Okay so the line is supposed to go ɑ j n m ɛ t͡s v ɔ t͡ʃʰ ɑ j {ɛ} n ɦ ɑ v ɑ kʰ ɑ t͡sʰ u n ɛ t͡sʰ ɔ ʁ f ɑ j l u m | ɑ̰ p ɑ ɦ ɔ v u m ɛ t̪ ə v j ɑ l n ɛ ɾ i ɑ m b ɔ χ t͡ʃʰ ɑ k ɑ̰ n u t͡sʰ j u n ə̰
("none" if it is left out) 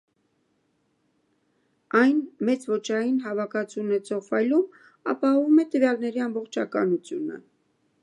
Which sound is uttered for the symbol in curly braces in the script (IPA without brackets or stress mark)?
i